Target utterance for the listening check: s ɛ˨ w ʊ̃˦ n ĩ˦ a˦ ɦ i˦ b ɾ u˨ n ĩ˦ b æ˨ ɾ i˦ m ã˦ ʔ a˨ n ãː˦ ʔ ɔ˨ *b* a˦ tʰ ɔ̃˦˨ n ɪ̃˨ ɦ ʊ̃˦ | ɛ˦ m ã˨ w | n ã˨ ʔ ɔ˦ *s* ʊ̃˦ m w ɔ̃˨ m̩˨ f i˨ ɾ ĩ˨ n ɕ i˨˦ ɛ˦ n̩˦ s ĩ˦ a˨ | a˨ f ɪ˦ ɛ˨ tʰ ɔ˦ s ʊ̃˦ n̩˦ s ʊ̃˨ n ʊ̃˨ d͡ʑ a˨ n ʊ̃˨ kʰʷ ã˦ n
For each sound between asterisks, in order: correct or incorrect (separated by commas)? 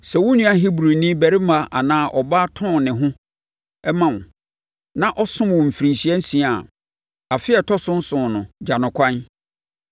correct, correct